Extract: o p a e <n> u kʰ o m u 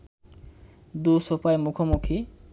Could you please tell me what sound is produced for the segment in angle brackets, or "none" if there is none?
m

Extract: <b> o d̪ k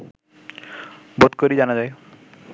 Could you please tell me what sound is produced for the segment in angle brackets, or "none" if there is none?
b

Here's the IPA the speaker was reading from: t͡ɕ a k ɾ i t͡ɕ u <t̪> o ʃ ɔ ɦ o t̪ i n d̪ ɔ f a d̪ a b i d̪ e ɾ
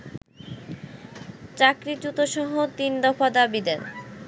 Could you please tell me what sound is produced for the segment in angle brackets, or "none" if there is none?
t̪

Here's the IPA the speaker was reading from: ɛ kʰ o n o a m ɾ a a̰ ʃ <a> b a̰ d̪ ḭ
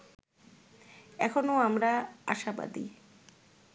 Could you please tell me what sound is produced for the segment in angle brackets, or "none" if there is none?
a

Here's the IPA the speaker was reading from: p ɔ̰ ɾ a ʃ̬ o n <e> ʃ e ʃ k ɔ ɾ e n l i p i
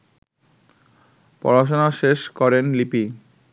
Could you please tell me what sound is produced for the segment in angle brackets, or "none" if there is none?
a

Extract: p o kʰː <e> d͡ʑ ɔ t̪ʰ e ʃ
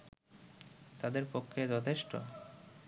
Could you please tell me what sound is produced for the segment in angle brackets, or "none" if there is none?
e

